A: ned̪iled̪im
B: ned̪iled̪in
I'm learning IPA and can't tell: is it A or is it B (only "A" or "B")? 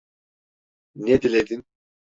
B